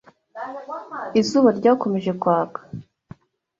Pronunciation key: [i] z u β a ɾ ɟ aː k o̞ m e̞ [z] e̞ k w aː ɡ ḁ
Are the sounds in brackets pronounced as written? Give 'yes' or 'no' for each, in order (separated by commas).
yes, no